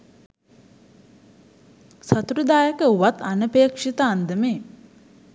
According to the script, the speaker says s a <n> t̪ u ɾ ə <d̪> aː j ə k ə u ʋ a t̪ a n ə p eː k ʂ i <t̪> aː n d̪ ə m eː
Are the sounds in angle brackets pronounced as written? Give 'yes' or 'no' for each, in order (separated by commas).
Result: no, yes, yes